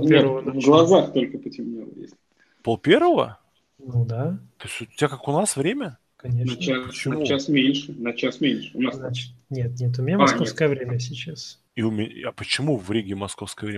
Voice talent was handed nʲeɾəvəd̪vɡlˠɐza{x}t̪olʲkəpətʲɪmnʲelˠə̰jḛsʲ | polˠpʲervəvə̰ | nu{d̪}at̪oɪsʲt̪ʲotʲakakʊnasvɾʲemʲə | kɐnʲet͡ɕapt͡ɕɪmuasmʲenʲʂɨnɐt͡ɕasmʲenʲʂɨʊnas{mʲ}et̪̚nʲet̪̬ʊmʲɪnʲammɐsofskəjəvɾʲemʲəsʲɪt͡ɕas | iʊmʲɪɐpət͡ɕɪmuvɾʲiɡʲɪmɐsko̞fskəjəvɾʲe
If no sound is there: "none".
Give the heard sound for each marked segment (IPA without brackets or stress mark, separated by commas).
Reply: x, d̪, nʲ